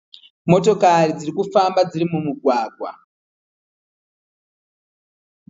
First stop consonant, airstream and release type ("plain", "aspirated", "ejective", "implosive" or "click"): plain